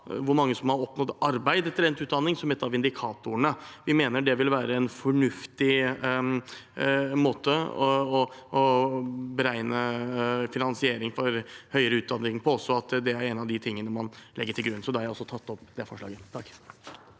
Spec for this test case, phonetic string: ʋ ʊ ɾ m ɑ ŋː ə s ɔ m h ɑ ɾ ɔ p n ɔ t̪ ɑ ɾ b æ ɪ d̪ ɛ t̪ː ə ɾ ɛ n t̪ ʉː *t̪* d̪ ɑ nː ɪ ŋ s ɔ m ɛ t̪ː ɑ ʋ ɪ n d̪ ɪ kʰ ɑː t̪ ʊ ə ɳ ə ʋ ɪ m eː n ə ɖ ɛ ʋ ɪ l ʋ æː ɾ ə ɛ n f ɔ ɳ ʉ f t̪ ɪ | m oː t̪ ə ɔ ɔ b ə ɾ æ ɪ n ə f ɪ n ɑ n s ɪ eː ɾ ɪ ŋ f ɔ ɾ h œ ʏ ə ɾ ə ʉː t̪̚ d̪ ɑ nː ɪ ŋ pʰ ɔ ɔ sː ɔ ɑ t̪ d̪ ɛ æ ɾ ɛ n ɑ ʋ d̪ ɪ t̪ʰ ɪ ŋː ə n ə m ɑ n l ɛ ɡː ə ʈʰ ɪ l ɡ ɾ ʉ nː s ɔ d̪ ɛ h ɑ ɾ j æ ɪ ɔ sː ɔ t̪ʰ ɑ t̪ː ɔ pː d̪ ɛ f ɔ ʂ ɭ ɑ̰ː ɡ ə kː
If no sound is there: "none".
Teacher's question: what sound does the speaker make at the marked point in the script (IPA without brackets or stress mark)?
t̪